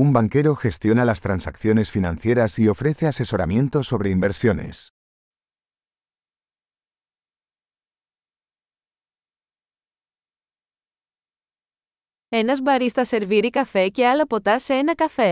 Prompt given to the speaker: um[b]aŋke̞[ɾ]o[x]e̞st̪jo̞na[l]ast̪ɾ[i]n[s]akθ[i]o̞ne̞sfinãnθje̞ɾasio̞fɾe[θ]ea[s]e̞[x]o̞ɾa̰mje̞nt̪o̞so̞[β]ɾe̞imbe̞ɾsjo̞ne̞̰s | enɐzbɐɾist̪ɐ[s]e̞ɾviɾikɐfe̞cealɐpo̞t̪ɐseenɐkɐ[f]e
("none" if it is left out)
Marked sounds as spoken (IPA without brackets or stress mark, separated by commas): b, ɾ, x, l, a, s, j, θ, s, s, β, s, f